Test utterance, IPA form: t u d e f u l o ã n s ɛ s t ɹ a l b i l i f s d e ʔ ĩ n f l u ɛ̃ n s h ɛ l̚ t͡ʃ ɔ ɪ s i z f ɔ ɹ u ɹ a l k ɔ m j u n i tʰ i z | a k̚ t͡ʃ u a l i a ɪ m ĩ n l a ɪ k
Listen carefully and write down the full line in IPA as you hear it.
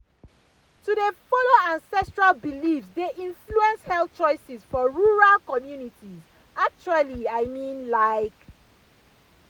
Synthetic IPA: t u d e f ɔ l o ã n s ɛ s t ɹ a l b i l i f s d e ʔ ĩ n f l u ɛ̃ n s h ɛ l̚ t͡ʃ ɔ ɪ s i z f ɔ ɹ u ɹ a l k ɔ m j u n i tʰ i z | a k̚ t͡ʃ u a l i a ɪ m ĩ n l a ɪ k